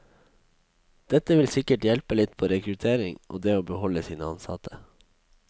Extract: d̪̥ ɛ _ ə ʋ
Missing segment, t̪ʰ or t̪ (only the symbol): t̪